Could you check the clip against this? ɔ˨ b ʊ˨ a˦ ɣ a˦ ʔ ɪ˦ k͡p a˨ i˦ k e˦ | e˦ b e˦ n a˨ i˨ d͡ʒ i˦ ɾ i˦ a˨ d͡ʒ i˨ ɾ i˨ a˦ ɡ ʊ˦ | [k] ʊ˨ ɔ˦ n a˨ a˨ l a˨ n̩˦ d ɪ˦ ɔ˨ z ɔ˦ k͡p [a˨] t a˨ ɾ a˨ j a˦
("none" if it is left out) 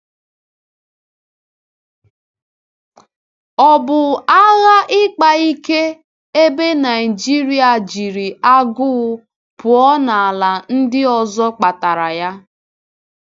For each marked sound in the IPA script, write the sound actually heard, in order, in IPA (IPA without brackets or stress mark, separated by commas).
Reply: p, a˨